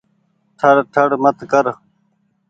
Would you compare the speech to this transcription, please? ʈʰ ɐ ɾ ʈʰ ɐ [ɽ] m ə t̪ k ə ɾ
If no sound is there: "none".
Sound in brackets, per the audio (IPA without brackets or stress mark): ɽ